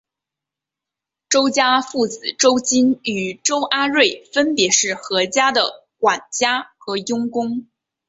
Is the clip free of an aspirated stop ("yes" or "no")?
yes